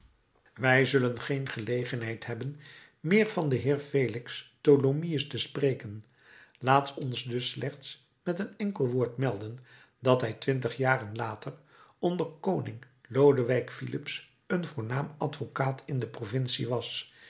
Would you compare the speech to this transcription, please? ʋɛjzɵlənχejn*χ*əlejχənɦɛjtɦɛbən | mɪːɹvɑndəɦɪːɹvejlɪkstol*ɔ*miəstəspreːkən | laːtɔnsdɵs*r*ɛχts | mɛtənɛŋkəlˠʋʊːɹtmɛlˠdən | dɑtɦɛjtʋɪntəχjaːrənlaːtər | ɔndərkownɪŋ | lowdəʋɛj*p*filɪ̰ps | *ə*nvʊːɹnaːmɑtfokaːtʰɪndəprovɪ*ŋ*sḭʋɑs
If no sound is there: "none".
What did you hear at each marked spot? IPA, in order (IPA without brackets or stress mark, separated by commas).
χ, o, l, k, ə, n